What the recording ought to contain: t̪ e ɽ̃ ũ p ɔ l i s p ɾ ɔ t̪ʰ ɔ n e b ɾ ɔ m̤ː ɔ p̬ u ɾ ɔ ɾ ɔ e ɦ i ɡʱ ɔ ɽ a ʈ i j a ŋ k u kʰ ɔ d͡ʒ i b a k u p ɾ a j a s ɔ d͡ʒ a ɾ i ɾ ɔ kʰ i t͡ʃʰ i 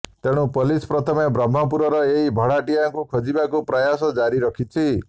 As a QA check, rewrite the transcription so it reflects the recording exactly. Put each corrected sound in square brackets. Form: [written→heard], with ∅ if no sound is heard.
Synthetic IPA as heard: t̪ e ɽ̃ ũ p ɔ l i s p ɾ ɔ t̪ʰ ɔ [n→m] e b ɾ ɔ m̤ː ɔ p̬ u ɾ ɔ ɾ ɔ e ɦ i [ɡʱ→bʱ] ɔ ɽ a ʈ i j a ŋ k u kʰ ɔ d͡ʒ i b a k u p ɾ a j a s ɔ d͡ʒ a ɾ i ɾ ɔ kʰ i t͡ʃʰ i